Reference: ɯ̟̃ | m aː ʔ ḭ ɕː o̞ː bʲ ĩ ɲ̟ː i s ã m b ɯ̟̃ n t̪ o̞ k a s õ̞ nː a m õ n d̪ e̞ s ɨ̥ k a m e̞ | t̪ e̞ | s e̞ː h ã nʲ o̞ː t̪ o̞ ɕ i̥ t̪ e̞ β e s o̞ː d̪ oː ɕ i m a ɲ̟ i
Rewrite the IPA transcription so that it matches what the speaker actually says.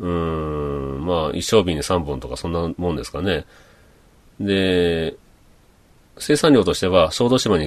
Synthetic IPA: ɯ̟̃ | m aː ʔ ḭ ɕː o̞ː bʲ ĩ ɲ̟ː i s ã m b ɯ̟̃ n t̪ o̞ k a s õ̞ nː a m õ n d̪ e̞ s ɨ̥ k a n e̞ | d̪ e̞ | s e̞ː s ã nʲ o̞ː t̪ o̞ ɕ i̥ t̪ e̞ β a s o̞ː d̪ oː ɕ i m a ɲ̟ i